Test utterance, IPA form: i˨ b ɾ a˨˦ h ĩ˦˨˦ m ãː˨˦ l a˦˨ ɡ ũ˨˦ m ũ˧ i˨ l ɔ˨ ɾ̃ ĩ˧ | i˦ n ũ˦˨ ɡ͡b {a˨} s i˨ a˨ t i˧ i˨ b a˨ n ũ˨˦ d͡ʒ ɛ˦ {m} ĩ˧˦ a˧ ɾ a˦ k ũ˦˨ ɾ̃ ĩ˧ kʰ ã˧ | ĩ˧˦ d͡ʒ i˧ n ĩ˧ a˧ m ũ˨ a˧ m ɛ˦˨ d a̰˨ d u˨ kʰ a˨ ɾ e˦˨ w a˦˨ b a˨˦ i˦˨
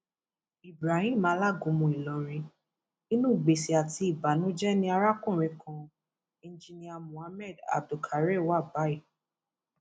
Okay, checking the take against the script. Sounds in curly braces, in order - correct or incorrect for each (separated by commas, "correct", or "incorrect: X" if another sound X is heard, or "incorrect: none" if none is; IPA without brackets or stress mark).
incorrect: e˨, incorrect: n